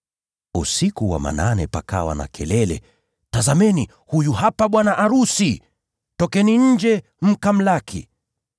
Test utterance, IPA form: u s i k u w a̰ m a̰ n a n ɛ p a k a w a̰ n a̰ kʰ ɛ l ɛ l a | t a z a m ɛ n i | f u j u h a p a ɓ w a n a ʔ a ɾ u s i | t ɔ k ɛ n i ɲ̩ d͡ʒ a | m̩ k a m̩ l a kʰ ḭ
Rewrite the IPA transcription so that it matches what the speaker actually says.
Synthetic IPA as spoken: u s i k u w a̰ m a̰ n a n ɛ p a k a w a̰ n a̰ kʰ ɛ l ɛ l ɛ | t a z a m ɛ n i | h u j u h a p a ɓ w a n a ʔ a ɾ u s i | t ɔ k ɛ n i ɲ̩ d͡ʒ ɛ | m̩ k a m̩ l a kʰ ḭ